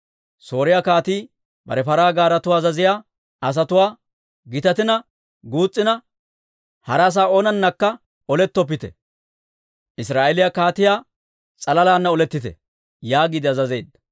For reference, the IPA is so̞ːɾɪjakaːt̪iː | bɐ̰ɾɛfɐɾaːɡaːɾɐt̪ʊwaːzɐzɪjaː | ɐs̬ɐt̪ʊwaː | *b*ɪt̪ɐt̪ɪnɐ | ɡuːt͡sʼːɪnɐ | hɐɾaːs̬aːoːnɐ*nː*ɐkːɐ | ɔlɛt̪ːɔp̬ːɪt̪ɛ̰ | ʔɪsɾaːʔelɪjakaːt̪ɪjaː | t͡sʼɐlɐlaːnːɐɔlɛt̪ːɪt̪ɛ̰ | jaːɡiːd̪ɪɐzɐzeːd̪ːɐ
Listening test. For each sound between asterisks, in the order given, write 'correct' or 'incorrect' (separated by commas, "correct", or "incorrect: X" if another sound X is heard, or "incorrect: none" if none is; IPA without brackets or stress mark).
incorrect: ɡ, correct